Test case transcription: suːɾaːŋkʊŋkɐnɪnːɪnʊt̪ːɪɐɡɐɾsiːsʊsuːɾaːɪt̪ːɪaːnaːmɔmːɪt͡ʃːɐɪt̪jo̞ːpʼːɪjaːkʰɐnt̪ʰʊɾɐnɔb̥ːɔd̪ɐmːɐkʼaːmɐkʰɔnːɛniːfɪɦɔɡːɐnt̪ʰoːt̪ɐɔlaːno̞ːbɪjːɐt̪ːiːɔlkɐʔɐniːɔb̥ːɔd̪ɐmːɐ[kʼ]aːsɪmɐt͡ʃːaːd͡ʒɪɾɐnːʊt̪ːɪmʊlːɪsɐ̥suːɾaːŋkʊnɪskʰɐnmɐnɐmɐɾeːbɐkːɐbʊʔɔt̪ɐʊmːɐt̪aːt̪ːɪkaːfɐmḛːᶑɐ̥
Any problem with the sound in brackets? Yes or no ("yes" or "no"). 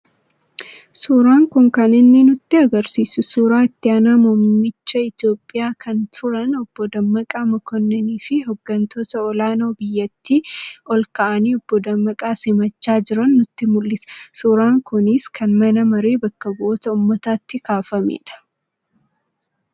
no